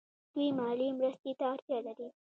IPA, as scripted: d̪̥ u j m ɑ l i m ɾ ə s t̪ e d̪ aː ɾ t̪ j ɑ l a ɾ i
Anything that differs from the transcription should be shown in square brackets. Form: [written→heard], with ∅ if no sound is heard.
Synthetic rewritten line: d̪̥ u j m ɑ l i m ɾ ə s t̪ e [d̪→t̪] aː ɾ t̪ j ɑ l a ɾ i